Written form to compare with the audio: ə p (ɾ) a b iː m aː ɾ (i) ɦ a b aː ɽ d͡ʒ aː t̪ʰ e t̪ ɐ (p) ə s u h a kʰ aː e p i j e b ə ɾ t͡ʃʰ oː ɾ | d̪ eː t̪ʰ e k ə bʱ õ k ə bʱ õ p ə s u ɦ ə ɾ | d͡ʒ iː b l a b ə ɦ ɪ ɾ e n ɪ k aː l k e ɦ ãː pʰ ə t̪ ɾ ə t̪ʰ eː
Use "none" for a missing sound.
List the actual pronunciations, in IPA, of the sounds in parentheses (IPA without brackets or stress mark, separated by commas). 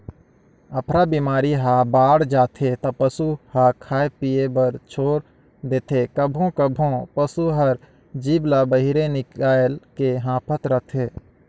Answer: ɾ, i, p